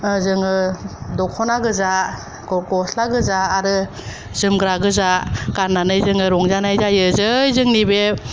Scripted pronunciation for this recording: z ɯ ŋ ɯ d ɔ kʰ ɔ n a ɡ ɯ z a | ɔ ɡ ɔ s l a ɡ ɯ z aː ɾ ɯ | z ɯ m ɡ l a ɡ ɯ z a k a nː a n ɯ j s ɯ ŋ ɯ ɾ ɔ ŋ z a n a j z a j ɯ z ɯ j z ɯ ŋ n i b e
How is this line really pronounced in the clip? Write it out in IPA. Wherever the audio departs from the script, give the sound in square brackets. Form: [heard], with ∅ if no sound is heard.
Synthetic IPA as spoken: z ɯ ŋ ɯ d ɔ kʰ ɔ n a ɡ ɯ z a | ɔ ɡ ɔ s l a ɡ ɯ z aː ɾ ɯ | z ɯ m ɡ [ɾ] a ɡ ɯ z a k a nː a n ɯ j [z] ɯ ŋ ɯ ɾ ɔ ŋ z a n a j z a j ɯ z ɯ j z ɯ ŋ n i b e